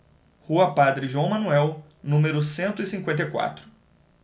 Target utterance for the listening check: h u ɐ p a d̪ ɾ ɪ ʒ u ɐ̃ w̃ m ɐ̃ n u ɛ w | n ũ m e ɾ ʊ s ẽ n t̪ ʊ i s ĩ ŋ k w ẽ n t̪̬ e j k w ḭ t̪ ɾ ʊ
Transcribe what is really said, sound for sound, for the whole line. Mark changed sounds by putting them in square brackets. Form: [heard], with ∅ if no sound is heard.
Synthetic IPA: h u ɐ p a d̪ ɾ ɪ ʒ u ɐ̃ w̃ m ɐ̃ n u ɛ w | n ũ m e ɾ ʊ s ẽ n t̪ ʊ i s ĩ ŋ k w ẽ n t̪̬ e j k w [a̰] t̪ ɾ ʊ

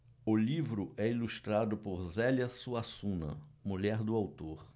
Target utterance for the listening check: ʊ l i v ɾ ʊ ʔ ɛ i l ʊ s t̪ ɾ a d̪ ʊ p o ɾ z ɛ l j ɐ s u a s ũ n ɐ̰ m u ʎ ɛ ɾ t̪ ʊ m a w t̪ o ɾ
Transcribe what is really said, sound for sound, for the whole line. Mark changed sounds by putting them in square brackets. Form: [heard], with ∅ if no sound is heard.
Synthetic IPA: ʊ l i v ɾ ʊ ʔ ɛ i l [u] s t̪ ɾ a d̪ ʊ p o ɾ z ɛ l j ɐ s u a s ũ n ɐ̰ m u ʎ ɛ ɾ [d̪] ʊ [∅] a w t̪ o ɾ

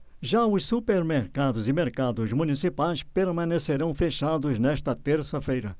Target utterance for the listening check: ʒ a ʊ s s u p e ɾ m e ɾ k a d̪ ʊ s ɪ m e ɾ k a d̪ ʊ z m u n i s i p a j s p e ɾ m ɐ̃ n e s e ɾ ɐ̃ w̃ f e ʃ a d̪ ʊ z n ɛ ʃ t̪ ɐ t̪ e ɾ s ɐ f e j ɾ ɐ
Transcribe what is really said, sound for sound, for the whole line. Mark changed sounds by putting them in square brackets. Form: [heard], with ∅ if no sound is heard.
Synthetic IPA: ʒ a ʊ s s u p e ɾ m e ɾ k a d̪ ʊ [z] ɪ m e ɾ k a d̪ ʊ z m u n i s i p a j s p e ɾ m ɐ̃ n e s e ɾ ɐ̃ w̃ f e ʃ a d̪ ʊ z n ɛ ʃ t̪ ɐ t̪ e ɾ s ɐ f e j ɾ ɐ

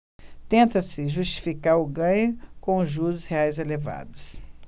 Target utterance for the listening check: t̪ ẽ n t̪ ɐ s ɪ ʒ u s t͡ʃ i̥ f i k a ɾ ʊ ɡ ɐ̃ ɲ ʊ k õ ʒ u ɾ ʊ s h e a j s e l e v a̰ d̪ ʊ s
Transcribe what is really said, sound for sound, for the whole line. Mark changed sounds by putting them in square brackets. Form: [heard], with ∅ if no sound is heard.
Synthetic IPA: t̪ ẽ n t̪ ɐ s ɪ ʒ u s t͡ʃ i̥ f i k a ɾ ʊ ɡ ɐ̃ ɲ ʊ k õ ʒ u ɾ ʊ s h e a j [z] e l e v a̰ d̪ ʊ s

